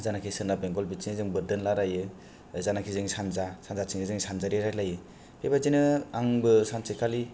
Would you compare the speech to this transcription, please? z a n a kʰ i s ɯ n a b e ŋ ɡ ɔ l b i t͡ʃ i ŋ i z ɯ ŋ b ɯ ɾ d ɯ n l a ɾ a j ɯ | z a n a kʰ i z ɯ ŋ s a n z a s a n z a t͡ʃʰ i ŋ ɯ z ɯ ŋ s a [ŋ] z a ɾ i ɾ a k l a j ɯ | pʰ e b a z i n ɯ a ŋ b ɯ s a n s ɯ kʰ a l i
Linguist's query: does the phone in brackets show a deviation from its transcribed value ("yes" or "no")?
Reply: yes